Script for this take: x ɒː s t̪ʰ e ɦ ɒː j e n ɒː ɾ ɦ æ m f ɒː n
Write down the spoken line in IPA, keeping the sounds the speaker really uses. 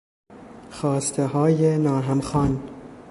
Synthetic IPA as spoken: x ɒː s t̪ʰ e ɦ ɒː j e n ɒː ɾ ɦ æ m x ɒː n